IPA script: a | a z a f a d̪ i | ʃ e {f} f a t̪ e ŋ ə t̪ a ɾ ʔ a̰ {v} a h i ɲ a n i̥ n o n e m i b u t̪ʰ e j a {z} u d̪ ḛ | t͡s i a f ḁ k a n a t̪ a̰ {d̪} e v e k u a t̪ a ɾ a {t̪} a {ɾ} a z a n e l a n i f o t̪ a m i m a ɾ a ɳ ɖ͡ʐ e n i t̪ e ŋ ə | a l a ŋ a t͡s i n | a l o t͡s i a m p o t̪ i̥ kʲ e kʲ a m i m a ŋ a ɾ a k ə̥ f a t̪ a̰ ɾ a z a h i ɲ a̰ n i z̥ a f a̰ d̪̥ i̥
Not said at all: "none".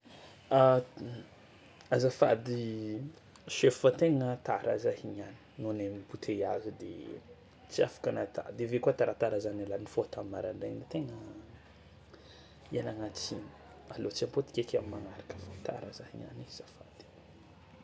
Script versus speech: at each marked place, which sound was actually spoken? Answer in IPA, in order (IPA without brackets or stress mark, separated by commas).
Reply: f, z, z, d̪, t̪, ɾ